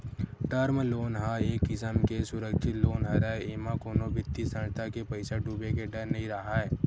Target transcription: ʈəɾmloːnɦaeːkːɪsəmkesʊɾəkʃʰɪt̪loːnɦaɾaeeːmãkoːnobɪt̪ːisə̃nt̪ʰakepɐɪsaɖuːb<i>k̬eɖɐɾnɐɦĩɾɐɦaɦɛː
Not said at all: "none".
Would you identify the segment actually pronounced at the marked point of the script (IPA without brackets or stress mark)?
e